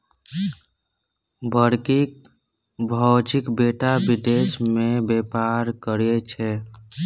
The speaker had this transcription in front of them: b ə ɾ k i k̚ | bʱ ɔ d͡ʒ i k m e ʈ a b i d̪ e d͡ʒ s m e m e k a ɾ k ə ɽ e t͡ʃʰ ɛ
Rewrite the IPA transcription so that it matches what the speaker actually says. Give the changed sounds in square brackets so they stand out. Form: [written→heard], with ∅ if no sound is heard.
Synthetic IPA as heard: b ə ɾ k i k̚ | bʱ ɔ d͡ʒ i k [m→b] e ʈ a b i d̪ e [d͡ʒ→∅] s m e [m→b] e [k→p] a ɾ k ə [ɽ→ɾ] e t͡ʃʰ ɛ